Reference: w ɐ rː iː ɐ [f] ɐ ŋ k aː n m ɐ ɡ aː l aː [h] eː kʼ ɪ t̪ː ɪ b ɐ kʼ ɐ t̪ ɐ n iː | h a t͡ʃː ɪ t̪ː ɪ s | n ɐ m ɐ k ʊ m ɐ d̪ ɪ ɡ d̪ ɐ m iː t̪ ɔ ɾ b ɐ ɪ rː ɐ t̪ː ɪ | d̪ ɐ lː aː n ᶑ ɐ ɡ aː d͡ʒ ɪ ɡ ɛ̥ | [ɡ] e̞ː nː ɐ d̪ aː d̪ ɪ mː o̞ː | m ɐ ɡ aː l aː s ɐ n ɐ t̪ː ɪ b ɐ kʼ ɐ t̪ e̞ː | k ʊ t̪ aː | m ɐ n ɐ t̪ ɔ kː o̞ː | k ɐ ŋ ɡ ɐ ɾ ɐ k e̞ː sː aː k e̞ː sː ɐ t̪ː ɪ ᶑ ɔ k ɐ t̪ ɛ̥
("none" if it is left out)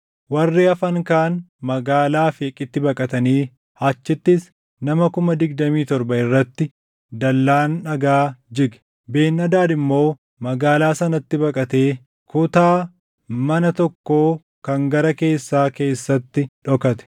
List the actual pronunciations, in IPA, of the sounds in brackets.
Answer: f, f, b

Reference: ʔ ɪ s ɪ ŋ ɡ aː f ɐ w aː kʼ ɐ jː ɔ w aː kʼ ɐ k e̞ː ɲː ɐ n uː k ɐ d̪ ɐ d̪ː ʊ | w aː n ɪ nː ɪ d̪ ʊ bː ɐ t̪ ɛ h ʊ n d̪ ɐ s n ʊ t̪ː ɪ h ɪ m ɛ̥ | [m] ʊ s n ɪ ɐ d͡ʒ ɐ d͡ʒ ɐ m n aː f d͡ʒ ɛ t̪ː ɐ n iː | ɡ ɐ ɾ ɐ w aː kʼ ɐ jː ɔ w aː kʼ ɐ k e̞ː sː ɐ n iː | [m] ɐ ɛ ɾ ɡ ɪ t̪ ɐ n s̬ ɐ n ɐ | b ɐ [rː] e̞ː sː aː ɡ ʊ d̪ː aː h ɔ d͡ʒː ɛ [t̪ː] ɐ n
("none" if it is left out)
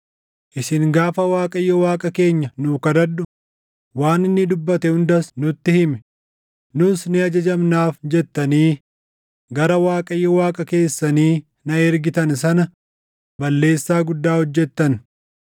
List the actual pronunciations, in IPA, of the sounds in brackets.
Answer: n, n, lː, t̪ː

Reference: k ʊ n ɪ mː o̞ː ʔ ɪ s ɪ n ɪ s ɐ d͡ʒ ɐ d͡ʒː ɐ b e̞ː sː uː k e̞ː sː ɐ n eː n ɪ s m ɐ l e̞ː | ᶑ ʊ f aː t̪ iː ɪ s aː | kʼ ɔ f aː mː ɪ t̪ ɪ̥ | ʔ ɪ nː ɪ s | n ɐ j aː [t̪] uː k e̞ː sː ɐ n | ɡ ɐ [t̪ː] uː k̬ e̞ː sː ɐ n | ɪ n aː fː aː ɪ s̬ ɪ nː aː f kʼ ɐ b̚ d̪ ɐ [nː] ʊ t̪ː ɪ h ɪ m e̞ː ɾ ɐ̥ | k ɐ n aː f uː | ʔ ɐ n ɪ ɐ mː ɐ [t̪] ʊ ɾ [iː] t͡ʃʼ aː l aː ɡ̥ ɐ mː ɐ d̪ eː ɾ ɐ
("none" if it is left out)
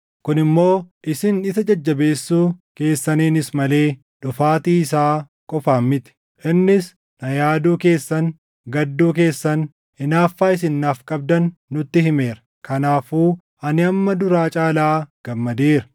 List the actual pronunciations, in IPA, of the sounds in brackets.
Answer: d̪, d̪ː, nː, d̪, aː

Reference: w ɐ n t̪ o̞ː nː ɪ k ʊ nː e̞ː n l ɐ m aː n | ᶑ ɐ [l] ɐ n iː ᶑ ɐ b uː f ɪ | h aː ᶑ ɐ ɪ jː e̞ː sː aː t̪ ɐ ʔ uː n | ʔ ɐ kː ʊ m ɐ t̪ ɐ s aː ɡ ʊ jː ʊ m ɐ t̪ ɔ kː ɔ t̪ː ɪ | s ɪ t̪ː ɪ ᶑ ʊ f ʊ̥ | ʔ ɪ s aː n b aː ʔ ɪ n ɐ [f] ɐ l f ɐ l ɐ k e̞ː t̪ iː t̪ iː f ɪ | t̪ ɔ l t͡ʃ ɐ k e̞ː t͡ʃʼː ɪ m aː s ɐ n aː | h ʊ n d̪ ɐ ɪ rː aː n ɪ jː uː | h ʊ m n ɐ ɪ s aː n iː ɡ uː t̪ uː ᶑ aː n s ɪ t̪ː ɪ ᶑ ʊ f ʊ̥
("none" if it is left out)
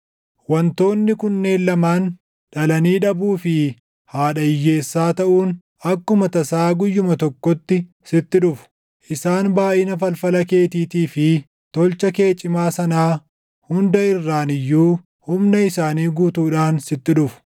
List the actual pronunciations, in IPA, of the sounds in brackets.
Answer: l, f

